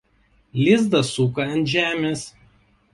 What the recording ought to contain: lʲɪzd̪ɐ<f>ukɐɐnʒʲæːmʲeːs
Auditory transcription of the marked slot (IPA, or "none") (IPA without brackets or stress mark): s